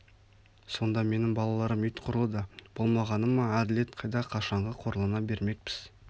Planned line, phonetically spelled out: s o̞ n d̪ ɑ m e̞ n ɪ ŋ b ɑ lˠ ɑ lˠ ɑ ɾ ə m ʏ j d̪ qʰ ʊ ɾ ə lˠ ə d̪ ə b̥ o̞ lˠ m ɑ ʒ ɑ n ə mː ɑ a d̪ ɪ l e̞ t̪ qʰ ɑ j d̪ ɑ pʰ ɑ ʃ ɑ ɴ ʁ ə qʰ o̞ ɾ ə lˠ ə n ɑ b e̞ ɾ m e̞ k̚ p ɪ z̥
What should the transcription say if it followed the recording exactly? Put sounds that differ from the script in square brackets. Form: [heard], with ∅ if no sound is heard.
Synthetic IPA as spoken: s o̞ n d̪ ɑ m e̞ n ɪ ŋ b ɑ lˠ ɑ lˠ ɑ ɾ ə m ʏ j [t̪] qʰ ʊ ɾ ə lˠ ə d̪ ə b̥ o̞ lˠ m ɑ [ʁ] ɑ n ə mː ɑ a d̪ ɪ l e̞ t̪ qʰ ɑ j d̪ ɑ [qʰ] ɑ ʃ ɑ ɴ ʁ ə qʰ o̞ ɾ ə lˠ ə n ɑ b e̞ ɾ m e̞ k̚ p ɪ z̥